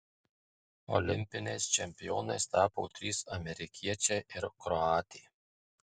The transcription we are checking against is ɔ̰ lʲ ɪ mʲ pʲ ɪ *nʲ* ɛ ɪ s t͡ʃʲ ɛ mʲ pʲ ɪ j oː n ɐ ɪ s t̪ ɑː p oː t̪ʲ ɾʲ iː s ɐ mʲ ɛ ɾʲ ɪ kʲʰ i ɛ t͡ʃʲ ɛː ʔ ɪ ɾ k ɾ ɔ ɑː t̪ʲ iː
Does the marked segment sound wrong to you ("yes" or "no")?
no